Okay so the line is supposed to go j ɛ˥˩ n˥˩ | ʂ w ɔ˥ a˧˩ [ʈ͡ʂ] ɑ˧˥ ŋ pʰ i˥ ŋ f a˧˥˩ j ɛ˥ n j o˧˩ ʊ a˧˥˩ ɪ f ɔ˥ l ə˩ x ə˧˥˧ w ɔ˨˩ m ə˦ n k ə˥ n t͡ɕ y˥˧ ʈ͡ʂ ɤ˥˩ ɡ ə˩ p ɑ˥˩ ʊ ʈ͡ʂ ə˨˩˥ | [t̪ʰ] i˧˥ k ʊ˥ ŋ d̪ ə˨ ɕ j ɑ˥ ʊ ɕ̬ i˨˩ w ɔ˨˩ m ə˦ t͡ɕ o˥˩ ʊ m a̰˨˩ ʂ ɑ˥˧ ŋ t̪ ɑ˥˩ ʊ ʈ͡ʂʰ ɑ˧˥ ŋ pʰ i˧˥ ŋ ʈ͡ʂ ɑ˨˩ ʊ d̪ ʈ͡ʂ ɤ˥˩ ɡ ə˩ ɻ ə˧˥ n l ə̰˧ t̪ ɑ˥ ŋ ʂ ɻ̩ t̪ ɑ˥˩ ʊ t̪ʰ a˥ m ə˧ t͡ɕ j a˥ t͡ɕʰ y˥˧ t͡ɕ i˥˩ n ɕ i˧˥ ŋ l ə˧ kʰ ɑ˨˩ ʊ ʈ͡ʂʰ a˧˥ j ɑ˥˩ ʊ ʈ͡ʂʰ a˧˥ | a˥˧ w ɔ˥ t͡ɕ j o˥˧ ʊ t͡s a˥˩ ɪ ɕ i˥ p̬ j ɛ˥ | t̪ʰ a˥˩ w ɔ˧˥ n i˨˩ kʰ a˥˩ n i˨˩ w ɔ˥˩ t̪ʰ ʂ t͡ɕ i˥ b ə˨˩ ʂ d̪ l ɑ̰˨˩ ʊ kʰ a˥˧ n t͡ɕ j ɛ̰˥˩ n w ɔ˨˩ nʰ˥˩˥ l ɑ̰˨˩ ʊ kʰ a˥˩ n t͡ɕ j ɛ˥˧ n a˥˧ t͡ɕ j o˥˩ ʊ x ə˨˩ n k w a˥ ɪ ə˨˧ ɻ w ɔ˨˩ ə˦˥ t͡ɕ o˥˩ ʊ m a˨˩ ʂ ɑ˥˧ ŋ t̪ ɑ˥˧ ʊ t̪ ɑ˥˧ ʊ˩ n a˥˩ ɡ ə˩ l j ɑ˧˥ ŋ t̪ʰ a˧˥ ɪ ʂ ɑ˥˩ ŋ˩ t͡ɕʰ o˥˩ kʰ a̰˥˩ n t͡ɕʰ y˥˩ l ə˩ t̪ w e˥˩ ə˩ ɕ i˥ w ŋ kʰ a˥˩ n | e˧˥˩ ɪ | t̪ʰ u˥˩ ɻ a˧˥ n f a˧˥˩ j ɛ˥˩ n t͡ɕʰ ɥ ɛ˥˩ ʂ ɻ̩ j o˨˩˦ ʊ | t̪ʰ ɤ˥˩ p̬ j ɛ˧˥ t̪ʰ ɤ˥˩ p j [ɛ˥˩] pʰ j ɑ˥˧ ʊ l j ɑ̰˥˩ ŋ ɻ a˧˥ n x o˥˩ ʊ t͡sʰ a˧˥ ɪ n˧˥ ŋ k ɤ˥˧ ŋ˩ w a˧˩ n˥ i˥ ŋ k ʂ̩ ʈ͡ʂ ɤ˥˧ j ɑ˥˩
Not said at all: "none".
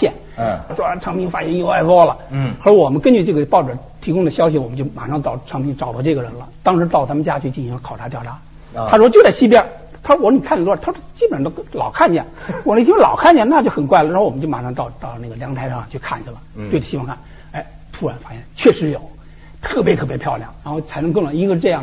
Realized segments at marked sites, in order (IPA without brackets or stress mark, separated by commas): ʈ͡ʂʰ, t̪ʰ, ɛ˧˥